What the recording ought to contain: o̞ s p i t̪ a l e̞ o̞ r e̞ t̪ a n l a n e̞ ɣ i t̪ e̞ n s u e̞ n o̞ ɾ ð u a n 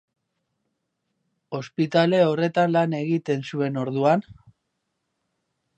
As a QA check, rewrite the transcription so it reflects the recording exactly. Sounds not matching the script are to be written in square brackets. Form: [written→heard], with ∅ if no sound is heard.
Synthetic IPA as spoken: o̞ s p i t̪ a l e̞ o̞ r e̞ t̪ a n l a n e̞ ɣ i t̪ e̞ n s u e̞ n o̞ ɾ ð u a n